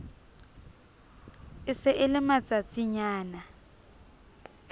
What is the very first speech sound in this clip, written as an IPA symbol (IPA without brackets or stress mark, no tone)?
ɪ